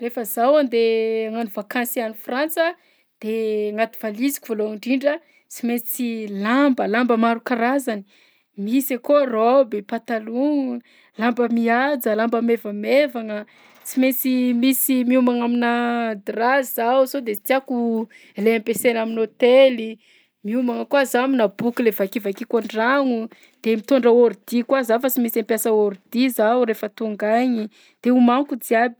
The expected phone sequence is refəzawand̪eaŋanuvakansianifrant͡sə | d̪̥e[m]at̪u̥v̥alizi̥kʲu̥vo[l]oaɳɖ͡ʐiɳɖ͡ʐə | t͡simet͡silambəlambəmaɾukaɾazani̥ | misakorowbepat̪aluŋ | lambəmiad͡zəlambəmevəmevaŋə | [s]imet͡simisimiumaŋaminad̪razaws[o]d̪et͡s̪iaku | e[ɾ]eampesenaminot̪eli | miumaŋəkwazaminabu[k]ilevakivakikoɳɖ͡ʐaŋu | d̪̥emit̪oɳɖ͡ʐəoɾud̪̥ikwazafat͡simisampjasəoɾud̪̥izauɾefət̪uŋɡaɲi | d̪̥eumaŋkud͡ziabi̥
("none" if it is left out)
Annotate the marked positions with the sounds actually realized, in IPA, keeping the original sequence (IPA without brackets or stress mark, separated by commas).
ŋ, l, t͡s, o, l, k